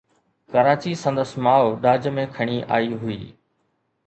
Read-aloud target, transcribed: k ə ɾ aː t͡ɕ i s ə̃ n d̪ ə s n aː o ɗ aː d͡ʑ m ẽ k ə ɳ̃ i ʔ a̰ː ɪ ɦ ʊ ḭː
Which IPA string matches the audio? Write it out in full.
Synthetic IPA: k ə ɾ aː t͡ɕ i s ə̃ n d̪ ə s m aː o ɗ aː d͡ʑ m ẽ kʰ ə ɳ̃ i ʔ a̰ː i ɦ ʊ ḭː